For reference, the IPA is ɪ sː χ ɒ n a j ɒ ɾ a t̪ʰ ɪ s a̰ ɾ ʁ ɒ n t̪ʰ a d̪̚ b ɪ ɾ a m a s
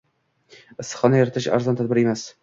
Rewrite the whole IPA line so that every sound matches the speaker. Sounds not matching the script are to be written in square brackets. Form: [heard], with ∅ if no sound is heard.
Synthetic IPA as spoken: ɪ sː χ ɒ n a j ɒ ɾ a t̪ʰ ɪ [ʃ] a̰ ɾ [z] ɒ n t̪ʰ a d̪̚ b ɪ ɾ [e] m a s